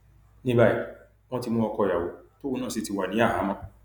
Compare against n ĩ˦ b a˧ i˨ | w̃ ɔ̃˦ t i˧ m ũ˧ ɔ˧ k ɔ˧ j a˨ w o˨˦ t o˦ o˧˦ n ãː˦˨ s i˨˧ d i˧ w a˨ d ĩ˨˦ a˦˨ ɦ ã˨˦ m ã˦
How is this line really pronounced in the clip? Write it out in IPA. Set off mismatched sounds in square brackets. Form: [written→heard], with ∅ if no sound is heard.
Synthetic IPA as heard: n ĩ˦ b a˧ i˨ | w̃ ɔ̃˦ t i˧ m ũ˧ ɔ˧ k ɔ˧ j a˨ w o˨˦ t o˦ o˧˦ n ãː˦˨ s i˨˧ [d→t] i˧ w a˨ [d→n] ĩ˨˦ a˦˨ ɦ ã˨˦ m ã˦